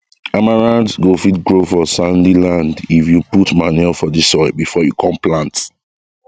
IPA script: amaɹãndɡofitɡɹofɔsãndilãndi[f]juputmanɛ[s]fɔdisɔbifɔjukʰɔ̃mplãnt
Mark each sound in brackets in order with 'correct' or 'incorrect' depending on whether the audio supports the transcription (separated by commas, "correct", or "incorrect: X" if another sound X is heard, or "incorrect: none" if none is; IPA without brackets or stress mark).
correct, incorrect: none